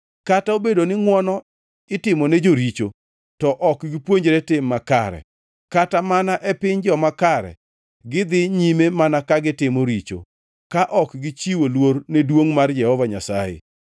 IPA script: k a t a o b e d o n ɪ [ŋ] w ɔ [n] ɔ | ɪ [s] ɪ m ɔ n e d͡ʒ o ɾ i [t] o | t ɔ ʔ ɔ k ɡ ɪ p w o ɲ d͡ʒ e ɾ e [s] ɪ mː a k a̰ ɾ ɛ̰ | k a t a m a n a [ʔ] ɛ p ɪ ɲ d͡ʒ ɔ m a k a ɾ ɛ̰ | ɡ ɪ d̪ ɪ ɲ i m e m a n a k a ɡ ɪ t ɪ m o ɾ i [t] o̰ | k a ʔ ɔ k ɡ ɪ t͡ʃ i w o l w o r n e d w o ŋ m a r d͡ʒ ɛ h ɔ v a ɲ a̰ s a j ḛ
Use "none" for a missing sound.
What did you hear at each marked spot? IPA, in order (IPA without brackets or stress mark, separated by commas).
ŋ, n, t, t͡ʃ, t, ʔ, t͡ʃ